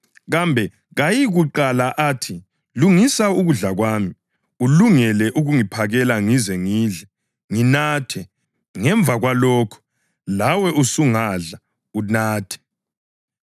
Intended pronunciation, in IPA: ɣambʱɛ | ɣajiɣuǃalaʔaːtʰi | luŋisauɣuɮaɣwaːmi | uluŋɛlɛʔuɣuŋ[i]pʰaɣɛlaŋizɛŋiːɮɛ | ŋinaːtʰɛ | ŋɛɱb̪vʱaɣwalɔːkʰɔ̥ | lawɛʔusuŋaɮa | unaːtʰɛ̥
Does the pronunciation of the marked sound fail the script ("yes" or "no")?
no